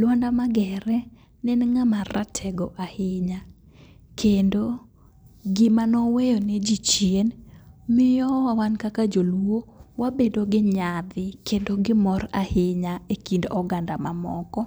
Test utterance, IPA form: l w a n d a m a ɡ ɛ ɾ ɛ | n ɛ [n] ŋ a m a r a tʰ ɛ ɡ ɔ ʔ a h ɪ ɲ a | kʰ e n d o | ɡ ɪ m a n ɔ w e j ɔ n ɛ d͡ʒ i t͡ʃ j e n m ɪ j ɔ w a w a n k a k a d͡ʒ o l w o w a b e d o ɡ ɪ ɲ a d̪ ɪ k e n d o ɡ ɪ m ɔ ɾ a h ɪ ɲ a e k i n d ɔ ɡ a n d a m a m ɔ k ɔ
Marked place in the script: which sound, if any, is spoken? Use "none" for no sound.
n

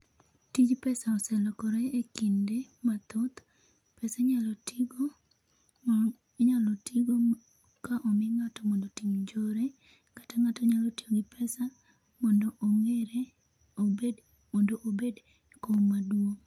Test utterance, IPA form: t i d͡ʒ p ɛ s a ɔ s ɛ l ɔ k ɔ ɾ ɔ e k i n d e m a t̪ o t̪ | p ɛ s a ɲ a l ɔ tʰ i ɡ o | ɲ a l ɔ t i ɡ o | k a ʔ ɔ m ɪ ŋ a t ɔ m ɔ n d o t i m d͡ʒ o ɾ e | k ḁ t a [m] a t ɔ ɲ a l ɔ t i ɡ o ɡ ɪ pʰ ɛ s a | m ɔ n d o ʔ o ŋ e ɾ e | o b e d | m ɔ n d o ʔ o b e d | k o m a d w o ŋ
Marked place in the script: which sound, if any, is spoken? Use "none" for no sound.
ŋ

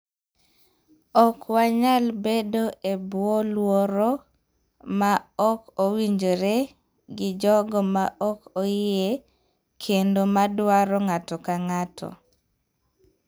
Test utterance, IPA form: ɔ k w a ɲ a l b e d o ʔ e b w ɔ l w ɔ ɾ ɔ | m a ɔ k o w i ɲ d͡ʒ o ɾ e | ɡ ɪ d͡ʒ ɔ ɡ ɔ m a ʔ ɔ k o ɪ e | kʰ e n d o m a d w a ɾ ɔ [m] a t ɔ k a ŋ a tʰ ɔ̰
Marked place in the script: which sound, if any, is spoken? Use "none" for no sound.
ŋ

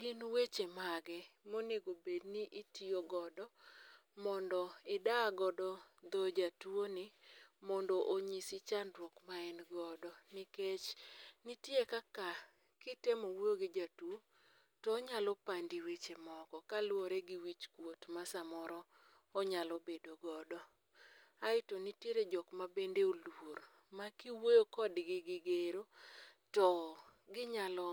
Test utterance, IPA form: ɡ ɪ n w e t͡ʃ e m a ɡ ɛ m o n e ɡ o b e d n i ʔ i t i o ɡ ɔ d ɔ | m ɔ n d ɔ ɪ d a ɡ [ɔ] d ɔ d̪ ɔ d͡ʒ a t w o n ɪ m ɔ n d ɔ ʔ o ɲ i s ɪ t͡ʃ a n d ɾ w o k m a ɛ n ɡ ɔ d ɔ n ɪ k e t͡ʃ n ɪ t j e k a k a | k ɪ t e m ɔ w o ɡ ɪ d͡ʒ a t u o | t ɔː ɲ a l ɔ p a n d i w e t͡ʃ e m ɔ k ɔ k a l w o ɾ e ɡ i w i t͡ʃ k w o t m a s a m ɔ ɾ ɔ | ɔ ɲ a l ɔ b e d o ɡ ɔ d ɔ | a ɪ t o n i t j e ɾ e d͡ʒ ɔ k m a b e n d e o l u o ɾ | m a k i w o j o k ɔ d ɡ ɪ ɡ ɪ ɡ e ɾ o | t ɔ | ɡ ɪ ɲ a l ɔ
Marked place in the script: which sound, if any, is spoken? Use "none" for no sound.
ɔ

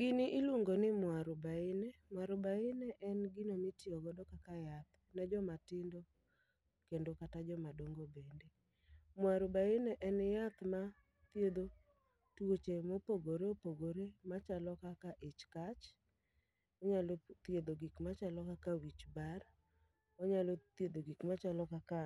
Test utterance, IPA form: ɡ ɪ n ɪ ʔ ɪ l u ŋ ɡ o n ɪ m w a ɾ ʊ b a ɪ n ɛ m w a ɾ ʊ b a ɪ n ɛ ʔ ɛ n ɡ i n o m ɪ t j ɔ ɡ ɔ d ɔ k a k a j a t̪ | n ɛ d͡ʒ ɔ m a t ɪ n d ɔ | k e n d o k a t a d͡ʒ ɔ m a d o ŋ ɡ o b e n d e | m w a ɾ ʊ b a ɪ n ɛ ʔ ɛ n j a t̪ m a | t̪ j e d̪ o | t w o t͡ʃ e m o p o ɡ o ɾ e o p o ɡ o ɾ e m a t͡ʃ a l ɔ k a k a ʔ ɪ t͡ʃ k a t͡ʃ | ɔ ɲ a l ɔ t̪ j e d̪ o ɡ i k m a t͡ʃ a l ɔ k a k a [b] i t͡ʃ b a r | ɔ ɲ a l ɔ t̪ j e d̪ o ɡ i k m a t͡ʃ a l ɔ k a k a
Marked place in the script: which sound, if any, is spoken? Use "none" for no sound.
w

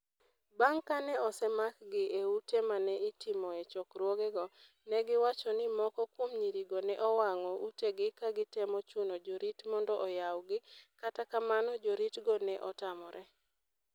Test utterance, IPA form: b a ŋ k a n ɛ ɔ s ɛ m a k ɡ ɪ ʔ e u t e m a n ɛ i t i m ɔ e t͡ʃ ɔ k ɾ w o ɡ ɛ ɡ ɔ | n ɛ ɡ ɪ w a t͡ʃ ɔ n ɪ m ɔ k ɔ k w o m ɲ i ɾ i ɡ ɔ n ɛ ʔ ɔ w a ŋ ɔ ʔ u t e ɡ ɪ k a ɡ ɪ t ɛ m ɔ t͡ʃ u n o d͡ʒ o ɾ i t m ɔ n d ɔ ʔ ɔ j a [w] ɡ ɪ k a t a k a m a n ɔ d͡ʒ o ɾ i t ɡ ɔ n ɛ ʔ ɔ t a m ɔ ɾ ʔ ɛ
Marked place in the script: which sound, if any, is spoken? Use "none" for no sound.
w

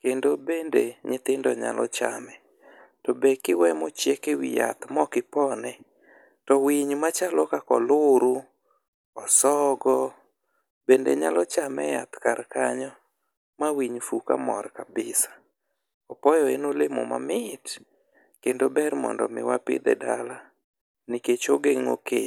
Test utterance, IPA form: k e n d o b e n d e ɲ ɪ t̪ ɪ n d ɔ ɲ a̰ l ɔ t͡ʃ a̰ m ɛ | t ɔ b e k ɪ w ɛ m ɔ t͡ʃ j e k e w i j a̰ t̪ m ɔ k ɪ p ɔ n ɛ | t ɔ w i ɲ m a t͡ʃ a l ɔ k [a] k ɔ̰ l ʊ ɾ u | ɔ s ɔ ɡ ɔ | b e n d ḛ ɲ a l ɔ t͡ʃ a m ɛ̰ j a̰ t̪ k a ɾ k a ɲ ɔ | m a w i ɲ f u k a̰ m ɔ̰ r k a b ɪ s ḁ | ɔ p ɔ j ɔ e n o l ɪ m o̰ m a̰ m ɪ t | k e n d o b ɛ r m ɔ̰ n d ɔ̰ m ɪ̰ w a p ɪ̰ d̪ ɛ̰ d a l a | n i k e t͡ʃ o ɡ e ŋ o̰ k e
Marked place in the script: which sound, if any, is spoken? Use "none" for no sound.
a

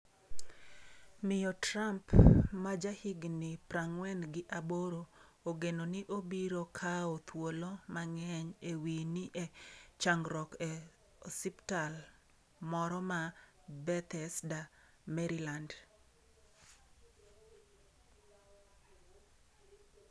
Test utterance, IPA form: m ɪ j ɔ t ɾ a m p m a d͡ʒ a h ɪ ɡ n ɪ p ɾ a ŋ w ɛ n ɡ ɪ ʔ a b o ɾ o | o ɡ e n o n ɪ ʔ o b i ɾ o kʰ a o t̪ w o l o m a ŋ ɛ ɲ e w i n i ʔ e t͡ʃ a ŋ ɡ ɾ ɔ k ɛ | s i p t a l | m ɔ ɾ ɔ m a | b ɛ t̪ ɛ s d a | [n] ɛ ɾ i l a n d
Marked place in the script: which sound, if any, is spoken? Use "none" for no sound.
m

